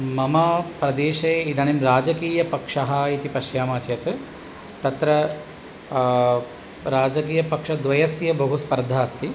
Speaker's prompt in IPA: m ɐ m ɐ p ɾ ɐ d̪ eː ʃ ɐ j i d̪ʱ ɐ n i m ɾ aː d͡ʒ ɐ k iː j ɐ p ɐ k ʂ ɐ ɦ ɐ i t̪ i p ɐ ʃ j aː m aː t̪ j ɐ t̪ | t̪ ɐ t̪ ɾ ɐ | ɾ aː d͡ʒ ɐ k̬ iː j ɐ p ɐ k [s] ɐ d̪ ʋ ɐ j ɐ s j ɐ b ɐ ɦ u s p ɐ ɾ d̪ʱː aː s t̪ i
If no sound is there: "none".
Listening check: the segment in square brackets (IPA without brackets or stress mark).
ʂ